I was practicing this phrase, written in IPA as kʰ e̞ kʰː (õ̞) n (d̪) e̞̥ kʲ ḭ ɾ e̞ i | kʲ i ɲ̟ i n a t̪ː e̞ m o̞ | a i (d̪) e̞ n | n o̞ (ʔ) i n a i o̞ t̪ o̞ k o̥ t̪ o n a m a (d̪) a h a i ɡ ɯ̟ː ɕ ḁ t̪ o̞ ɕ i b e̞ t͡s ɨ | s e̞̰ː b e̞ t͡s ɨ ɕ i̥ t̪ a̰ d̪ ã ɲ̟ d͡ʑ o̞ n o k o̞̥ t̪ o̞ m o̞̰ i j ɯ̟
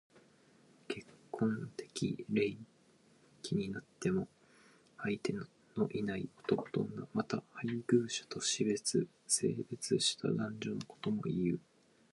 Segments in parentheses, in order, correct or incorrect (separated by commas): correct, incorrect, incorrect, correct, incorrect